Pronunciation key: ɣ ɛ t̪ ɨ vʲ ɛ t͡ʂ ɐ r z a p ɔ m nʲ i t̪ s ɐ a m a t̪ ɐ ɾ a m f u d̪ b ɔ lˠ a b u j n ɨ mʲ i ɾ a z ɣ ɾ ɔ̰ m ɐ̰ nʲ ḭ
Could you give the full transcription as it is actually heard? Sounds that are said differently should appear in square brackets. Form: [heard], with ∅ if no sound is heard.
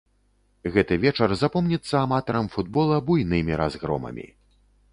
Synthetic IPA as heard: ɣ ɛ t̪ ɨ vʲ ɛ t͡ʂ ɐ r z a p ɔ m nʲ i t̪ [sː] ɐ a m a t̪ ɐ ɾ [ɐ] m f u d̪ b ɔ lˠ [ɐ] b u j n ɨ mʲ i ɾ a z ɣ ɾ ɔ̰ m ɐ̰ [mʲ] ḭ